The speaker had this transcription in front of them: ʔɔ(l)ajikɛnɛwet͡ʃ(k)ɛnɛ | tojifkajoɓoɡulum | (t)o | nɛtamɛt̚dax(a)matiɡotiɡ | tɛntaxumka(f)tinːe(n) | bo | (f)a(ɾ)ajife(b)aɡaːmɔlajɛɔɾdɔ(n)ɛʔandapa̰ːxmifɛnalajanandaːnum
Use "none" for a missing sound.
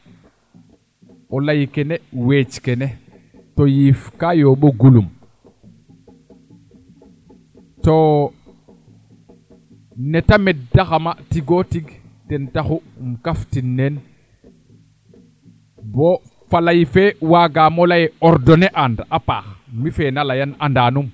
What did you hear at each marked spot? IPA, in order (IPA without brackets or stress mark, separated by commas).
l, k, t, a, f, n, f, l, w, n